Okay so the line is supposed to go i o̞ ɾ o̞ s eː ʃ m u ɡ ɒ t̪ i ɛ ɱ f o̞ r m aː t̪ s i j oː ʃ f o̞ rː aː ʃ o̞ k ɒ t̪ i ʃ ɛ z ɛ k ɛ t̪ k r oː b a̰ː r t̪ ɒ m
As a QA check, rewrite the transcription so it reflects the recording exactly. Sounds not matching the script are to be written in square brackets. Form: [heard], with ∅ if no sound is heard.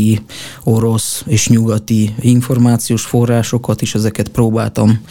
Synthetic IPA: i o̞ ɾ o̞ s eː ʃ [ɲ] u ɡ ɒ t̪ i [i] ɱ f o̞ r m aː t̪ s i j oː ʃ f o̞ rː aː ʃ o̞ k ɒ t̪ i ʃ ɛ z ɛ k ɛ t̪ [p] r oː b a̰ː [l] t̪ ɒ m